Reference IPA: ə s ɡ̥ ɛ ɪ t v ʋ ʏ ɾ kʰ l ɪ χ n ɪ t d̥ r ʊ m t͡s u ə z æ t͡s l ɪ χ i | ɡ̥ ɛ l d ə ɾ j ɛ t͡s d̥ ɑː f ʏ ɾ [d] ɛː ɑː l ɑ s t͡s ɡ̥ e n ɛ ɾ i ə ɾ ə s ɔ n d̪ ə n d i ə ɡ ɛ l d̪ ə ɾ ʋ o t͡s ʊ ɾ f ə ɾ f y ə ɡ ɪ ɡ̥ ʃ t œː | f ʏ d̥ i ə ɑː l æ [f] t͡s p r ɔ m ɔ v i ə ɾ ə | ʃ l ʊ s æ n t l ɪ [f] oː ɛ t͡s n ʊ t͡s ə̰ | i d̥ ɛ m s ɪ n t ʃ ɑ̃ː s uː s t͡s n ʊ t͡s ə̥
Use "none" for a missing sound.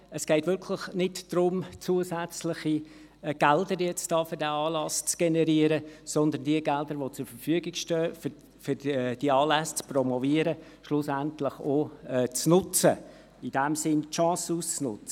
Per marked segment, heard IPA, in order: d, s, χ

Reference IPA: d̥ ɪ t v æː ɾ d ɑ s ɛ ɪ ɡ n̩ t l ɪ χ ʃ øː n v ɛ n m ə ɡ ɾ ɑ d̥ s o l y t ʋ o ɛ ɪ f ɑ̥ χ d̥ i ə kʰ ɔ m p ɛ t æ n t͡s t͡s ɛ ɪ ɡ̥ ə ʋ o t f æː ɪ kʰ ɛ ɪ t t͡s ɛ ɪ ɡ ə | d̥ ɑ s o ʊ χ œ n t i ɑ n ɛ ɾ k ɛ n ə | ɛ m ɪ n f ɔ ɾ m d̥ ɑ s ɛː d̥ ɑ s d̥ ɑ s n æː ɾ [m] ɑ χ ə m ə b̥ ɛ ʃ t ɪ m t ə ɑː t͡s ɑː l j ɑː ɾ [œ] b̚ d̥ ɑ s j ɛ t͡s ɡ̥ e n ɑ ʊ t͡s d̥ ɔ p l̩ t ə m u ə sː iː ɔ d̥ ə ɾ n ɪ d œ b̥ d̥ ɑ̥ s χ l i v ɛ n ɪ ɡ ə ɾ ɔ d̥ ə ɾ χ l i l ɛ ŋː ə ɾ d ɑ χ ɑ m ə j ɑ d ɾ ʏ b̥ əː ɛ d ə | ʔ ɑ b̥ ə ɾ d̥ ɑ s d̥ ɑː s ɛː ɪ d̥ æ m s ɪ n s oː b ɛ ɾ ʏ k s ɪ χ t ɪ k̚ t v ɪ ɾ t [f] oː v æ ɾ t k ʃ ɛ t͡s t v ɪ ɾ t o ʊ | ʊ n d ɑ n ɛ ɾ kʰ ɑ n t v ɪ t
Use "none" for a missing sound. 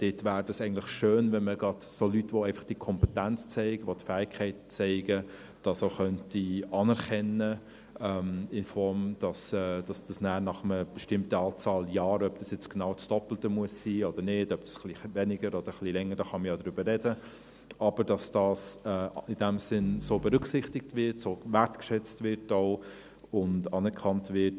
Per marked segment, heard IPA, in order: n, œ, s

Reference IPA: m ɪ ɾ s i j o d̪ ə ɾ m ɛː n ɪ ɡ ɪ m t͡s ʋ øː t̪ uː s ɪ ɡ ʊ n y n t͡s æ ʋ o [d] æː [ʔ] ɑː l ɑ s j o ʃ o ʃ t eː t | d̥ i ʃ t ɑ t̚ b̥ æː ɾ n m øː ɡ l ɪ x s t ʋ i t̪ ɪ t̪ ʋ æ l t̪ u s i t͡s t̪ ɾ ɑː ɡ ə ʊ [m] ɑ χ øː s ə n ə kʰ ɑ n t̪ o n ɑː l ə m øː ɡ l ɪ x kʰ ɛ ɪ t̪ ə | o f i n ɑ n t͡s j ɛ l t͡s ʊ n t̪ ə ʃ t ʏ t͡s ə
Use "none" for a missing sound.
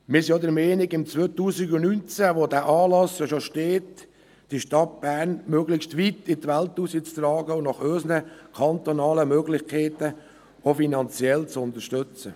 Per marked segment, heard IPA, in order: d, ʔ, n

